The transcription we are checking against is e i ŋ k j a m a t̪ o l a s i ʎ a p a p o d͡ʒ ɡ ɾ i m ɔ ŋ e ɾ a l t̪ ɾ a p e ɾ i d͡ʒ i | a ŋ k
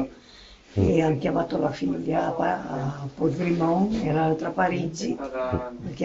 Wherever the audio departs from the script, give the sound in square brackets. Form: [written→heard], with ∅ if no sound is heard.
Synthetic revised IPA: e [i→a] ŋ k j a m a t̪ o l a [s→f] i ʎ a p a p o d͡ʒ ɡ ɾ i m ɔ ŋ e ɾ a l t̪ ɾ a p [e→a] ɾ i d͡ʒ i | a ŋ k